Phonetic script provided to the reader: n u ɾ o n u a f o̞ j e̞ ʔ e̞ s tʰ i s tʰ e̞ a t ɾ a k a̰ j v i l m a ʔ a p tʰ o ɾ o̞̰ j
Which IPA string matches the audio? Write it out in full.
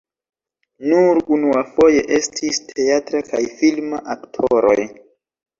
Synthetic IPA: n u ɾ u n u a f o̞ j e̞ ʔ e̞ s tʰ i s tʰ e̞ a t ɾ a k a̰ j f i l m a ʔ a k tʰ o ɾ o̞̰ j

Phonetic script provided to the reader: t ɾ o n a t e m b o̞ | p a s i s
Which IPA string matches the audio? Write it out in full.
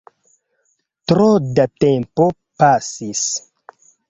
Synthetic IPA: t ɾ o d a t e m p o̞ | p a s i s

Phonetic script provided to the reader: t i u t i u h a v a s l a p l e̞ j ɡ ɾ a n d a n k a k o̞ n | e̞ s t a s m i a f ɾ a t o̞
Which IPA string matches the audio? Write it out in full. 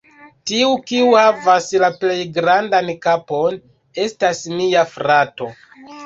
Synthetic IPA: t i u k i u h a v a s l a p l e̞ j ɡ ɾ a n d a n k a p o̞ n | e̞ s t a s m i a f ɾ a t o̞

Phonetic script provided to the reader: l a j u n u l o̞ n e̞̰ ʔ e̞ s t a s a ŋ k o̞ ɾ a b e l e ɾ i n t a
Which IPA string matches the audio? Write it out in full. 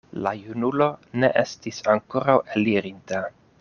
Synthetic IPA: l a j u n u l o̞ n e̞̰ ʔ e̞ s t i s a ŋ k o̞ ɾ a w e l i ɾ i n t a

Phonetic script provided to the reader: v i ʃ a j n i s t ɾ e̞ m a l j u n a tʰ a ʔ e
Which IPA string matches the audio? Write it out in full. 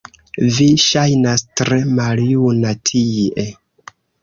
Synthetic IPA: v i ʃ a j n a s t ɾ e̞ m a l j u n a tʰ i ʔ e

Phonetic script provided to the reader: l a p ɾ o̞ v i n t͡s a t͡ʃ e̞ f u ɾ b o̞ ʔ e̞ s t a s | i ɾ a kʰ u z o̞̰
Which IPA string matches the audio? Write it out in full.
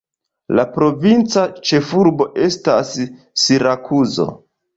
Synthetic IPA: l a p ɾ o̞ v i n t͡s a t͡ʃ e̞ f u ɾ b o̞ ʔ e̞ s t a sː | i ɾ a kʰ u z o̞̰

